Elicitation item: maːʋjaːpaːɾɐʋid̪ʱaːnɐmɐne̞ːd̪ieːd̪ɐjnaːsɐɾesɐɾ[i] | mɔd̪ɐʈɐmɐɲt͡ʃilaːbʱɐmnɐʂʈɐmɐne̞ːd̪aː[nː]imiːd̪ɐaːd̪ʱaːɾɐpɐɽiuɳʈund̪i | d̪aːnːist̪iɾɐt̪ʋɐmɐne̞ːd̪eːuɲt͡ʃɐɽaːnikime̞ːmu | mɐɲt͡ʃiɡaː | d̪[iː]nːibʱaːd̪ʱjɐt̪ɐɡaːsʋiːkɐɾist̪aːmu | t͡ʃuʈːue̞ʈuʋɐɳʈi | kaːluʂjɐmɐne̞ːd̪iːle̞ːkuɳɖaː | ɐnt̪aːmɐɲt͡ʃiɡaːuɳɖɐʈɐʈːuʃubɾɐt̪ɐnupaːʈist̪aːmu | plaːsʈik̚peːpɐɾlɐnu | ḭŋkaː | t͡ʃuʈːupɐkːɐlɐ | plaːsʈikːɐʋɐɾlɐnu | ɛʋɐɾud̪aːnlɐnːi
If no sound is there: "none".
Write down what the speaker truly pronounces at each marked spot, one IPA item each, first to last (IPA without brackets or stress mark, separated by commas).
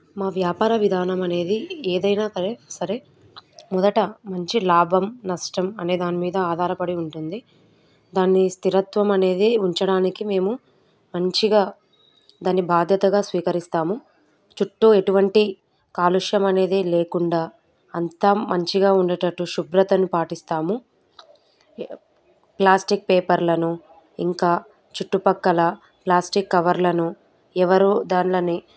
e, n, aː